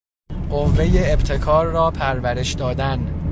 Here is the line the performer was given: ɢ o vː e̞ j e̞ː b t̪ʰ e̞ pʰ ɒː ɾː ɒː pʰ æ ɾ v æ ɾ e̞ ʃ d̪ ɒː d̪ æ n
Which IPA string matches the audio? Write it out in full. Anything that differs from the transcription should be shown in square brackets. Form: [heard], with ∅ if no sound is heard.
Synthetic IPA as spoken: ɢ o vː e̞ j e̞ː b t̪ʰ e̞ [kʰ] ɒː ɾː ɒː pʰ æ ɾ v æ ɾ e̞ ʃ d̪ ɒː d̪ æ n